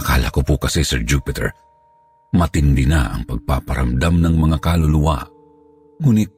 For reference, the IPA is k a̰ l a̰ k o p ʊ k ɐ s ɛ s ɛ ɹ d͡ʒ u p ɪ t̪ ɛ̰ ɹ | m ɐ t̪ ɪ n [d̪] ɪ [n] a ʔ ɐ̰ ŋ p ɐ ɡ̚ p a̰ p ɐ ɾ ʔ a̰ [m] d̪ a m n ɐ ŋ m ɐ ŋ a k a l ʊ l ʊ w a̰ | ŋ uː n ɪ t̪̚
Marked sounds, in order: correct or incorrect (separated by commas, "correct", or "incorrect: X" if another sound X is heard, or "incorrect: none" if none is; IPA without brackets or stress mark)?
correct, correct, correct